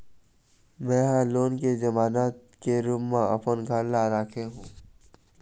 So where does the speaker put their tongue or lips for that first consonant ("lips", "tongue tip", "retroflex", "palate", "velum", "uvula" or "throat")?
lips